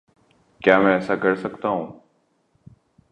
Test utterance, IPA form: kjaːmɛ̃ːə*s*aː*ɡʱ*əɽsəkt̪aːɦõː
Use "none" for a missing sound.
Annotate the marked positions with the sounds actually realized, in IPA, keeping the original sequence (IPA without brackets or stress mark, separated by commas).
s, ɡʱ